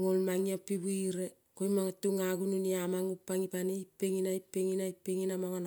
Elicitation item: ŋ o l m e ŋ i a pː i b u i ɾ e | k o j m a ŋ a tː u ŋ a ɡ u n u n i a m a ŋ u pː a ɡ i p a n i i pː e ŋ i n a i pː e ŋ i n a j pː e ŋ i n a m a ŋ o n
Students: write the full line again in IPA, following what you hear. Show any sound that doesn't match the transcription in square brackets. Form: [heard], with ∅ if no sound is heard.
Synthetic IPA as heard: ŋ o l m [a] ŋ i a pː i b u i ɾ e | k o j m a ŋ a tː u ŋ a ɡ u n u n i a m a ŋ u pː a [ŋ] i p a n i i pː e ŋ i n a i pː e ŋ i n a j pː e ŋ i n a m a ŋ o n